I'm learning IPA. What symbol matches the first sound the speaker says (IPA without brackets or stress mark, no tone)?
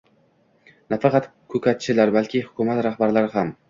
n